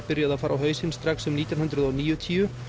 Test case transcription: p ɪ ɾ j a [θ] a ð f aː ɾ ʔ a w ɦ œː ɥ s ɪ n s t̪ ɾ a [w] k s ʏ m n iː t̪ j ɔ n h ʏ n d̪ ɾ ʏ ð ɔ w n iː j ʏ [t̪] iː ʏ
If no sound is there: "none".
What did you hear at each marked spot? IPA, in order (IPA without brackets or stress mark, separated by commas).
ð, none, t̪ʰ